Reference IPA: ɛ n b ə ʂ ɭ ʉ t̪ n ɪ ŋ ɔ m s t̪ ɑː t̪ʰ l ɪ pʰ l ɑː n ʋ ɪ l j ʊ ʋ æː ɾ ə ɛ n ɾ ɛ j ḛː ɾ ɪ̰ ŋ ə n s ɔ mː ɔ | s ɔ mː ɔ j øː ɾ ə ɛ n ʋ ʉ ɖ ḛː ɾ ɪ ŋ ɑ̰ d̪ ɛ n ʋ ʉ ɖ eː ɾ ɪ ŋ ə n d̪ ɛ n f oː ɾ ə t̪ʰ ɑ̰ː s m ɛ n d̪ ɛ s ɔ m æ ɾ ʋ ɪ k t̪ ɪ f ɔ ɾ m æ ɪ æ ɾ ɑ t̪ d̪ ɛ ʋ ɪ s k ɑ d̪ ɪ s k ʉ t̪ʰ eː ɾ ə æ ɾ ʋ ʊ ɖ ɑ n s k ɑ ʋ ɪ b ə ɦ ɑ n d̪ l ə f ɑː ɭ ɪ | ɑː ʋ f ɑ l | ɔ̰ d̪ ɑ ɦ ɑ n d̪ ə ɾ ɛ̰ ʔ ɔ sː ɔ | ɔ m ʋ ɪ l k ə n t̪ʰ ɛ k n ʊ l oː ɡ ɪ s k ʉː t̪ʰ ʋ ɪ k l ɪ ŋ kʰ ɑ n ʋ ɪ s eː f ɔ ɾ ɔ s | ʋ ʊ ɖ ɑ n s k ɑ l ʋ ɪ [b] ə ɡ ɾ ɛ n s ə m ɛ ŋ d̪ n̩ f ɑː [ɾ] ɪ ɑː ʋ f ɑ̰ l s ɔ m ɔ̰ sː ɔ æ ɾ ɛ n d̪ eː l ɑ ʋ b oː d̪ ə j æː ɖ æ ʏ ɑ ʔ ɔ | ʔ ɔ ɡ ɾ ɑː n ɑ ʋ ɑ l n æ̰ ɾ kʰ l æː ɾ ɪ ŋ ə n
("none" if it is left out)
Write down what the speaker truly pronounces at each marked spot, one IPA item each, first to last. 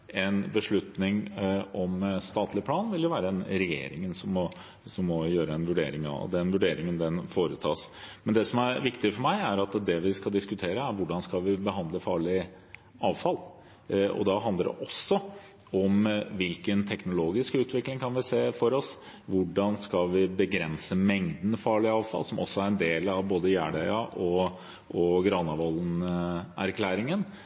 b, ɭ

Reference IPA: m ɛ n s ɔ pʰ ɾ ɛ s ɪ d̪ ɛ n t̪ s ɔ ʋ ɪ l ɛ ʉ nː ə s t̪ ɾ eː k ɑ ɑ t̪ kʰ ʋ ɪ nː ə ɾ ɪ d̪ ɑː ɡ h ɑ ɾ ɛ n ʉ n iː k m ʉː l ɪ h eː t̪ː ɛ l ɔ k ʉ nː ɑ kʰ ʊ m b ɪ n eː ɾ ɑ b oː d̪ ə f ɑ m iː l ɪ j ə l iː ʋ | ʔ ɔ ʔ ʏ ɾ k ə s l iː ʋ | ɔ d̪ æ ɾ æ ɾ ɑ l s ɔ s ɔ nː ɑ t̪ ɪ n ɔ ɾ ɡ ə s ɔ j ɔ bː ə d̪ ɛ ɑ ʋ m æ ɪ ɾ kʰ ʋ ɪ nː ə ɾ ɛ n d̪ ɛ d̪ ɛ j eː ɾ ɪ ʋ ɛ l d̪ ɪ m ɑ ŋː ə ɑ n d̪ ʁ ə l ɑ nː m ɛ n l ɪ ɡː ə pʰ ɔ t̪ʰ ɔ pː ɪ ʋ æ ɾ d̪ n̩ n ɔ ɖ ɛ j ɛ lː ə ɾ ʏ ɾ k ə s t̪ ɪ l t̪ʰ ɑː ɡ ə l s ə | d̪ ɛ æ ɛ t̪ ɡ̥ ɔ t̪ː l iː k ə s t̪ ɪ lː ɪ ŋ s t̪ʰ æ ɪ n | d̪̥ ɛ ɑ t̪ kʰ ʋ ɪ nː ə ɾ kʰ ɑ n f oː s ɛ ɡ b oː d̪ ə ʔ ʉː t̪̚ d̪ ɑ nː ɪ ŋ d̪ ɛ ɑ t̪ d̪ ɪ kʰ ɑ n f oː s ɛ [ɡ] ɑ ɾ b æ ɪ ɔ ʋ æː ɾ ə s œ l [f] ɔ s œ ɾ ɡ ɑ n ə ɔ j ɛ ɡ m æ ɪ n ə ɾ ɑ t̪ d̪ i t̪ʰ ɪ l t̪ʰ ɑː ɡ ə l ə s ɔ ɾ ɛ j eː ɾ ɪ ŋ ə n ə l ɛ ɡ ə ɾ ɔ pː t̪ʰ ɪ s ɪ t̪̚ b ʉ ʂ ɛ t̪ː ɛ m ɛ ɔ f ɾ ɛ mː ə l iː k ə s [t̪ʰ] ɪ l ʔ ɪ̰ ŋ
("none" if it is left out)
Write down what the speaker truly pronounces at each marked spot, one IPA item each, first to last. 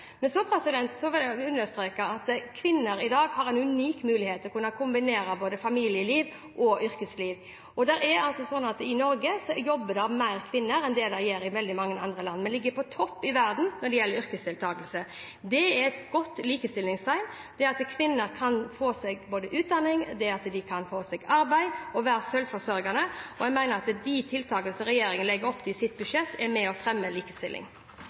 ɡ, f, t̪

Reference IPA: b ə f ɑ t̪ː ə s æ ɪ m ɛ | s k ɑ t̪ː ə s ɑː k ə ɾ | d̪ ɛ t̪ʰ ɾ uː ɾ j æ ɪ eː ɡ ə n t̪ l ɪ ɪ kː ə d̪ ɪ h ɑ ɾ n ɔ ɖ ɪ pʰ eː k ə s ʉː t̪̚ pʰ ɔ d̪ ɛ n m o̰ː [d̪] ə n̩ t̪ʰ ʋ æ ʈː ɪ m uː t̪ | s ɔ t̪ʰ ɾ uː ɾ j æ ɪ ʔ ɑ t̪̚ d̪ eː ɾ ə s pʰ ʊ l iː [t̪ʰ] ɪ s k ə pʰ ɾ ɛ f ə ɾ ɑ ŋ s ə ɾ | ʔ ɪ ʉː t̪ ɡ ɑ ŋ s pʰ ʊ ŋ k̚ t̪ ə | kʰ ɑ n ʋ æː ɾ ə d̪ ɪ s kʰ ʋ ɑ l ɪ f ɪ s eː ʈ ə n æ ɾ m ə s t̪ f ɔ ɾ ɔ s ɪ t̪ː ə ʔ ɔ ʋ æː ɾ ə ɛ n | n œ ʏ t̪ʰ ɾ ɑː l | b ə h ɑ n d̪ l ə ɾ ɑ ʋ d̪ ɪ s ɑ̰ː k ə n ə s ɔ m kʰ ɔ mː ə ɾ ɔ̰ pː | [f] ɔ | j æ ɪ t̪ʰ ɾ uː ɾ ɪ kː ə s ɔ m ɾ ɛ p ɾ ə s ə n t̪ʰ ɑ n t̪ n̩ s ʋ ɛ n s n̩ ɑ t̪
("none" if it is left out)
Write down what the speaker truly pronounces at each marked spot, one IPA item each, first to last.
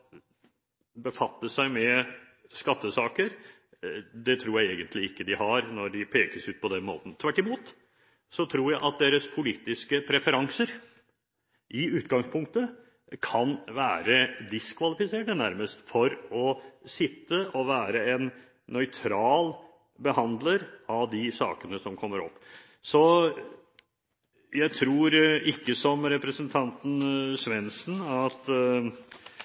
t̪, t̪, s

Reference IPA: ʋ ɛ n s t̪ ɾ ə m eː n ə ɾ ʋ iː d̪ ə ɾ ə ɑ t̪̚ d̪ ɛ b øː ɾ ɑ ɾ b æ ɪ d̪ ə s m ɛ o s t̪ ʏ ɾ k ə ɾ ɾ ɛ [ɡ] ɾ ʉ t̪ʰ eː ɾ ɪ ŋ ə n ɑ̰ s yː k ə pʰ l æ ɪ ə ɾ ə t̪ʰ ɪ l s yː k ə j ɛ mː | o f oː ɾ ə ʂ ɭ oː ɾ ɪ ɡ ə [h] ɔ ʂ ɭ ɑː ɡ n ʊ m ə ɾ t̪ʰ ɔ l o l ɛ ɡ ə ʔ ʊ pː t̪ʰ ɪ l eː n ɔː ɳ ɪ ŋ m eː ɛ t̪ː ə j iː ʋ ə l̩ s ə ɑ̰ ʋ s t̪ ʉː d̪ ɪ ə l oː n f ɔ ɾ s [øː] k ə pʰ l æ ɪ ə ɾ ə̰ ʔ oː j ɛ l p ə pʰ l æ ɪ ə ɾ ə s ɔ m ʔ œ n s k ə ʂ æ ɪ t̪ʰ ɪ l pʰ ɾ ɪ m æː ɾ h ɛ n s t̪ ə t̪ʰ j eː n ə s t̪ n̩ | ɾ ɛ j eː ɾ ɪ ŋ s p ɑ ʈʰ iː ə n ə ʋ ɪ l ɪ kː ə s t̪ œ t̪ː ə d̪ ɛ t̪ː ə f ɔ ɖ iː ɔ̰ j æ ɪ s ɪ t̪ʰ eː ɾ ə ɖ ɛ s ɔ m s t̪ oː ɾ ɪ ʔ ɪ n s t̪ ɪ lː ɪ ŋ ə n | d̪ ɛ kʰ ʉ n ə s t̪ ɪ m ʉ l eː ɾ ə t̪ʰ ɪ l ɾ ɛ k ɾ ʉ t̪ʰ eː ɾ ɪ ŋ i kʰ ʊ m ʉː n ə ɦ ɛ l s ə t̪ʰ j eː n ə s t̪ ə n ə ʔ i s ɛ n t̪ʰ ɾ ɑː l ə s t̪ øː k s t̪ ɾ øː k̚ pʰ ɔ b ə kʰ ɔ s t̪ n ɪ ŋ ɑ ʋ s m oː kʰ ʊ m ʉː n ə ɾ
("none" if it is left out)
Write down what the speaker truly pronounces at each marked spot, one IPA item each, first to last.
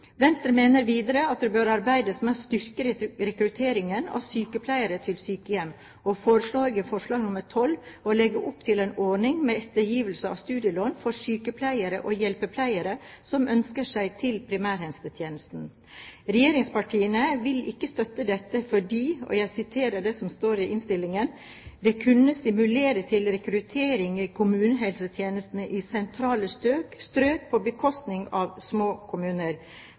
k, f, yː

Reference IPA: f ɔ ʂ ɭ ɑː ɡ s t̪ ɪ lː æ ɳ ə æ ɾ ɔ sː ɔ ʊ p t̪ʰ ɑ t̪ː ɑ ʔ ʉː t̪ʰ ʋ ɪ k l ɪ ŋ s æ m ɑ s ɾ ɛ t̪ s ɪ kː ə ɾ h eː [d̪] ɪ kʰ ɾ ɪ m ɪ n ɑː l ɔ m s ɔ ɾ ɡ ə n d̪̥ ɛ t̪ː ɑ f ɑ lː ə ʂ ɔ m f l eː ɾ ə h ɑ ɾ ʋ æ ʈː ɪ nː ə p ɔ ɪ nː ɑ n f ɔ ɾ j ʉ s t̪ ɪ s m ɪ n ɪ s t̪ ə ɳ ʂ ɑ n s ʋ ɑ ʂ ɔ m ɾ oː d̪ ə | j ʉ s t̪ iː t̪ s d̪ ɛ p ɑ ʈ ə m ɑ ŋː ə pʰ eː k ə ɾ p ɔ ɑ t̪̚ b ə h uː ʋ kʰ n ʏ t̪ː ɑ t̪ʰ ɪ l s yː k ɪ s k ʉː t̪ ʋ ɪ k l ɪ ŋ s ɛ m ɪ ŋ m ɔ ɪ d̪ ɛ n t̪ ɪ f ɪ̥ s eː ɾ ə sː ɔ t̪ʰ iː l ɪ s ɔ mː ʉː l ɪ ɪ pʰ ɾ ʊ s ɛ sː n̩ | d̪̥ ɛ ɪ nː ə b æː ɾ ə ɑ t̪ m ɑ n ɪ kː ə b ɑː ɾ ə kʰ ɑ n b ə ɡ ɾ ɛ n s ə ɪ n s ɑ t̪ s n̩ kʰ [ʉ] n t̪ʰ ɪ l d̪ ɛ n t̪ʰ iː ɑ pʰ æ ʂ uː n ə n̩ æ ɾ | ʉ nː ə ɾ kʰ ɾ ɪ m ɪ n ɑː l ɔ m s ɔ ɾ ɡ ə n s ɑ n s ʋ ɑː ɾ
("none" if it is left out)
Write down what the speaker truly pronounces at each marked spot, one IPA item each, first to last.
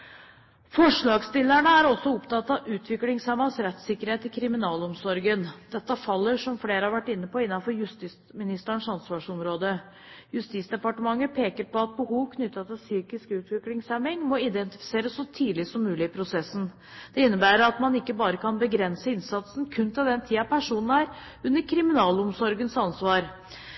t̪, ʉ

